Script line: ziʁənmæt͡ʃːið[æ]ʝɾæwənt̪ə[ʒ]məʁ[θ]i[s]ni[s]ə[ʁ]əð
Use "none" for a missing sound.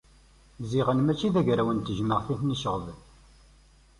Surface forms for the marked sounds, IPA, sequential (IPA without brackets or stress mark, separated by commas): æ, ʒ, θ, θ, ʃ, ʁ